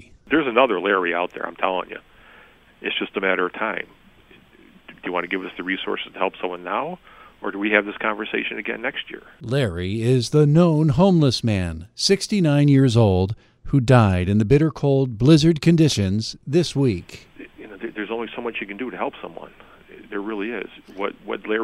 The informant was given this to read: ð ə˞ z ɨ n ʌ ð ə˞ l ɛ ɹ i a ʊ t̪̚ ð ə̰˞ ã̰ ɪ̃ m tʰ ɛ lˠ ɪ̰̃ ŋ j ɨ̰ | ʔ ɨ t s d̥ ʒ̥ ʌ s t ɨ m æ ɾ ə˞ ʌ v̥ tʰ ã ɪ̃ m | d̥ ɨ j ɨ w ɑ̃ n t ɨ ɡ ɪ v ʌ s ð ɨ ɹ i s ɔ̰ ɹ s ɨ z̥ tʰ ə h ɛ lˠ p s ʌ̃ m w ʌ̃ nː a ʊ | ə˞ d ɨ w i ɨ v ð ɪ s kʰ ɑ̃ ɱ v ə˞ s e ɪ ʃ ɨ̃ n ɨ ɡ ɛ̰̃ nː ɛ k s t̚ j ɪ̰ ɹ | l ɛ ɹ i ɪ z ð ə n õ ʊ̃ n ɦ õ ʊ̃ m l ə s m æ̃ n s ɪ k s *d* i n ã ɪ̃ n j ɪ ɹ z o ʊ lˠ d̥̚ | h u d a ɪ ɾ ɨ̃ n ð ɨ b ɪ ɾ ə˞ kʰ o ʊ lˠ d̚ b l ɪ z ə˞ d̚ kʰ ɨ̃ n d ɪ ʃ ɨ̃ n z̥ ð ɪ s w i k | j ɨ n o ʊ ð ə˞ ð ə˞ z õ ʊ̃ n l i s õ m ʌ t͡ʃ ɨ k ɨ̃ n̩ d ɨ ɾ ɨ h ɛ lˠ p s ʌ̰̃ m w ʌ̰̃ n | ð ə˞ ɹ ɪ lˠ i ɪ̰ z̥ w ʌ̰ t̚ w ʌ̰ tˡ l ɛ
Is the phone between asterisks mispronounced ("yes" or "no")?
yes